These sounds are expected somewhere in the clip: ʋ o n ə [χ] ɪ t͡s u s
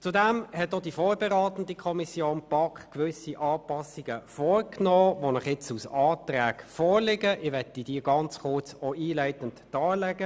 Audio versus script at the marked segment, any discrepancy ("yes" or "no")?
no